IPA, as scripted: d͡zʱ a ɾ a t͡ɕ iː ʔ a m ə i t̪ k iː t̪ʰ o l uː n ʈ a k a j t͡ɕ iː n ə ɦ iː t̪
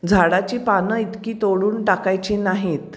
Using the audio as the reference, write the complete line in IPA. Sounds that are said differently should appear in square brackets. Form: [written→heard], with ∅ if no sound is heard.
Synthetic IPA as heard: d͡zʱ a [ɾ→ɽ] a t͡ɕ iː [ʔ→p] a [m→n] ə i t̪ k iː [t̪ʰ→t̪] o [l→ɽ] uː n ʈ a k a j t͡ɕ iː n [ə→a] ɦ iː t̪